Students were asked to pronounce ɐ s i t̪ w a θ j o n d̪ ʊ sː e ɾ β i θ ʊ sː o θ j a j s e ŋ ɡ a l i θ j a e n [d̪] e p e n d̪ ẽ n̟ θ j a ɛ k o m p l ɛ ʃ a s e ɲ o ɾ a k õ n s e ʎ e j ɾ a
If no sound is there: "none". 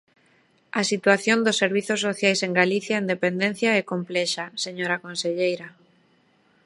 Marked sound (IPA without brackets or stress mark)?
d̪